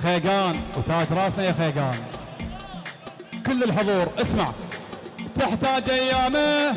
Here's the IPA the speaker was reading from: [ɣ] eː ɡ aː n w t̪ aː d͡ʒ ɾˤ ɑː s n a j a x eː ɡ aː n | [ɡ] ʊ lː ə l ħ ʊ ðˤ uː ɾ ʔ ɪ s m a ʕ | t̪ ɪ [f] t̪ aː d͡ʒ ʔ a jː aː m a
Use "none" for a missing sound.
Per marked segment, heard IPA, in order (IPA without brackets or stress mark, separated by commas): x, k, ħ